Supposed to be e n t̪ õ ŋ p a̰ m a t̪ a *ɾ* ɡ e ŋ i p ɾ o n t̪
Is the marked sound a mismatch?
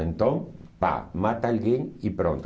yes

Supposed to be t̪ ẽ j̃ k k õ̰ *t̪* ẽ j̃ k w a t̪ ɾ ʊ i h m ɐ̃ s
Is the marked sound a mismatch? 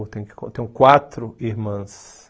no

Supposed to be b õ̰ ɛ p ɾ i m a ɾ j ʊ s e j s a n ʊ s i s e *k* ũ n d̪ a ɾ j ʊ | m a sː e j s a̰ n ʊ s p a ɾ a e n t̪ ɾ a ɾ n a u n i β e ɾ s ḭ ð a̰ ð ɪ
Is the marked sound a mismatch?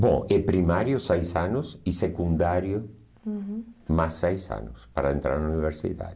no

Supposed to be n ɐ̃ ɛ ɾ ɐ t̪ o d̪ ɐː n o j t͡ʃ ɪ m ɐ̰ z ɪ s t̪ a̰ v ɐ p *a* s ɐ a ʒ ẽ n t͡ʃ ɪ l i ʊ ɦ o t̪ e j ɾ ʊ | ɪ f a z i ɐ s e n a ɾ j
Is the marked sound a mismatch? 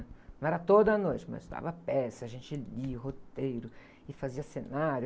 yes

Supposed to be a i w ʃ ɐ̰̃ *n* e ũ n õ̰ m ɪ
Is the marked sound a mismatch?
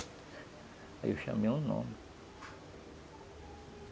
yes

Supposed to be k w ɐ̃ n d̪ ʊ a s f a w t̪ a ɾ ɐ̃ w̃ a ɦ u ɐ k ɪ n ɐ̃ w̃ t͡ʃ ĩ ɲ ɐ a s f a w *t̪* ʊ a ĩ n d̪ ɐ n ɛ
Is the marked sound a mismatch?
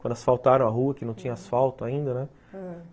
no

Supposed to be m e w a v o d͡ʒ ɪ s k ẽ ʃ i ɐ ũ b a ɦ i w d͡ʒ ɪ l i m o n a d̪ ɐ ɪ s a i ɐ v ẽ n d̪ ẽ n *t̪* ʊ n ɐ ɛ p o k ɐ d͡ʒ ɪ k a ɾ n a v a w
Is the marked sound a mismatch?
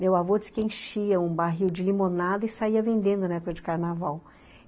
yes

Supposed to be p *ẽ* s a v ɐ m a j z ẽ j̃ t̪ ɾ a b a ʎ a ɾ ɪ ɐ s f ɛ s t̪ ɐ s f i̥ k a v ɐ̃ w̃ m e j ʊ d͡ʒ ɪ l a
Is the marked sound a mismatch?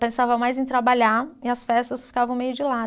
no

